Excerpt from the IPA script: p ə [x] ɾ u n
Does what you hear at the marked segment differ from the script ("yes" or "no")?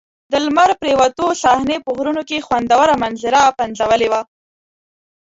yes